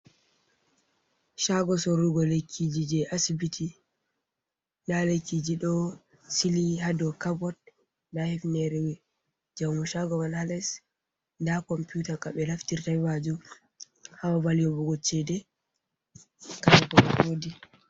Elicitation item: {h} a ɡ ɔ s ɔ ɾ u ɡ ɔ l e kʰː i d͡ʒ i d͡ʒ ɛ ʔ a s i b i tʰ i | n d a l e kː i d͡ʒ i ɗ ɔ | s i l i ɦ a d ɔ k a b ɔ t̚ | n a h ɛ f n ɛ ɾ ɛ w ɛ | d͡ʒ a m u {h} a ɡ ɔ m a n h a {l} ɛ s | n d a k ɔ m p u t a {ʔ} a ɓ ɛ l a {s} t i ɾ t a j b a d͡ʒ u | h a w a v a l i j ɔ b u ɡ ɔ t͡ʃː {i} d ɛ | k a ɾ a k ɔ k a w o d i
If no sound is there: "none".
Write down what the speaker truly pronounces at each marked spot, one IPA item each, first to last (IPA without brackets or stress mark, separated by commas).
ʃ, ʃ, l, k, f, ɛ